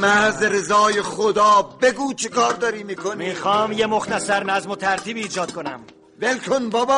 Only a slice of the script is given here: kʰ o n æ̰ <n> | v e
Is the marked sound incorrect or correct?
incorrect